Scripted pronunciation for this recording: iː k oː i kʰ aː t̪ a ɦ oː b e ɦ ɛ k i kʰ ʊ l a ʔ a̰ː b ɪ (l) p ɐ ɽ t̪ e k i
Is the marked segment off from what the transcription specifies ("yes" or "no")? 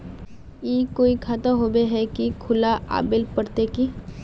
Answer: no